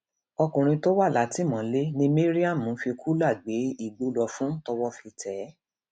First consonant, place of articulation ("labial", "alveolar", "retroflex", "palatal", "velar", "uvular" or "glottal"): velar